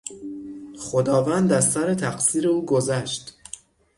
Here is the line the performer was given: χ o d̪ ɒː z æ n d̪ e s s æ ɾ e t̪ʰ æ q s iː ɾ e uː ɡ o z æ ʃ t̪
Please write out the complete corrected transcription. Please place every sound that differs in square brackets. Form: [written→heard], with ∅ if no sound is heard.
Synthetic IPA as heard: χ o d̪ ɒː [z→v] æ n d̪ [e→æ] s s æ ɾ e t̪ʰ æ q s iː ɾ e uː ɡ o z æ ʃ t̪